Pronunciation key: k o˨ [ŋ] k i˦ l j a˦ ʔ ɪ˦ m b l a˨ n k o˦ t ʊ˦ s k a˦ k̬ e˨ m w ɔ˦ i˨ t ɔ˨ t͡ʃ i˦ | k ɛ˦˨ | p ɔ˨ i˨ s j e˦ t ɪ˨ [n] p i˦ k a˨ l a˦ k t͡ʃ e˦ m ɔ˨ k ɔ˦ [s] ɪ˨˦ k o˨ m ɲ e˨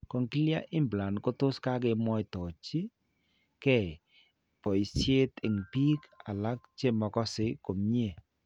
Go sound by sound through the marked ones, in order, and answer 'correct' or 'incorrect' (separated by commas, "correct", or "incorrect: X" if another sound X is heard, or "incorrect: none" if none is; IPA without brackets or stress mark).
correct, incorrect: ŋ, correct